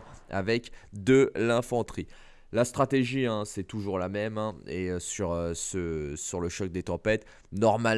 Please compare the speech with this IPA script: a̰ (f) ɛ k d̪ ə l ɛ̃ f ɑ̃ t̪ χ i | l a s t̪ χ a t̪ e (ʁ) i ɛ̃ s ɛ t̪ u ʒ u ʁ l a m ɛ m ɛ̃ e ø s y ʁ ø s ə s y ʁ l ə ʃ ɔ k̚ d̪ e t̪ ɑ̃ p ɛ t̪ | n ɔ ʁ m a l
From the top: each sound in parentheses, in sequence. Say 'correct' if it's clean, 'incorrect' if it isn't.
incorrect: v, incorrect: ʒ

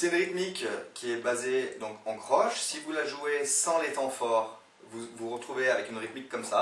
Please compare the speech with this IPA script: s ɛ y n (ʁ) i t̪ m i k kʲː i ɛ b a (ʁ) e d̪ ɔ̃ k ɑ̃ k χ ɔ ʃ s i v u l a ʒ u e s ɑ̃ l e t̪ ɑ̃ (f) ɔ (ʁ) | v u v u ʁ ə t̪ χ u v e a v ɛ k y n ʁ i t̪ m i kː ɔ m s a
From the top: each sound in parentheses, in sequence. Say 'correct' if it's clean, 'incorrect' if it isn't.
correct, incorrect: z, correct, correct

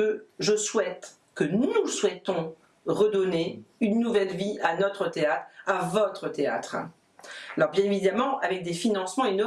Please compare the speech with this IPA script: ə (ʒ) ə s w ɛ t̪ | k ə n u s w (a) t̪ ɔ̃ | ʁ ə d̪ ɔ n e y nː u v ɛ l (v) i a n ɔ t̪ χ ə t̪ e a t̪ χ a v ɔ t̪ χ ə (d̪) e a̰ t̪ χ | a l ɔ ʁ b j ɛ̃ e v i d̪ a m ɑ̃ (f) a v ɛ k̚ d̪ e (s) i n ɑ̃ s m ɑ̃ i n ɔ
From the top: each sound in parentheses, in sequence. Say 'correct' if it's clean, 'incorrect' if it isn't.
correct, incorrect: ɛ, correct, incorrect: t̪, incorrect: none, incorrect: f

